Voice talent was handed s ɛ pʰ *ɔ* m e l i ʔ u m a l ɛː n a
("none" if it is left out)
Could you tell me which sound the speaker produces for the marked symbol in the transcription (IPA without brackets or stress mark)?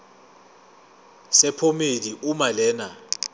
o